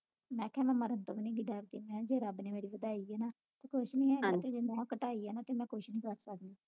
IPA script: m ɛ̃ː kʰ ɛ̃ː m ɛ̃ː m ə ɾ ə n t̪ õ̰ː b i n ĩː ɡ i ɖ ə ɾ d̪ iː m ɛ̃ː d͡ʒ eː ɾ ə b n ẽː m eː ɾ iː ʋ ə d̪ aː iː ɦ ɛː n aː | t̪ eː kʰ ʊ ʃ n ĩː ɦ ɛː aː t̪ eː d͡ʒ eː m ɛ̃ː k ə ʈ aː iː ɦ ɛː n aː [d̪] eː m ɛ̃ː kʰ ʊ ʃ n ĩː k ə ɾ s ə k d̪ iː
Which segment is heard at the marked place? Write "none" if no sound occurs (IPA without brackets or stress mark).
t̪